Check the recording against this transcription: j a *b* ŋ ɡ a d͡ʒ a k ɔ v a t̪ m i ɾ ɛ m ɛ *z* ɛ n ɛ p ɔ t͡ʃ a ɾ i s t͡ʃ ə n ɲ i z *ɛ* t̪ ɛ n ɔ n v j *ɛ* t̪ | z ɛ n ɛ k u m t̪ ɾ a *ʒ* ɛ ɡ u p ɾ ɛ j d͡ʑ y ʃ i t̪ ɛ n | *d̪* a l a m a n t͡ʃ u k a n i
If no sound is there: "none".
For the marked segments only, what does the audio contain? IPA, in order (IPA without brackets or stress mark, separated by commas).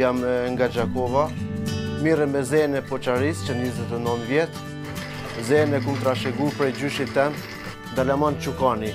m, z, ɛ, ɛ, ʃ, d̪